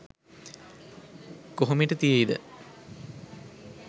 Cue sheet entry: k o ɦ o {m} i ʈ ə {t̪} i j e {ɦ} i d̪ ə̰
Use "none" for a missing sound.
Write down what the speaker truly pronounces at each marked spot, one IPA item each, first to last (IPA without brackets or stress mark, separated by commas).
m, t̪, none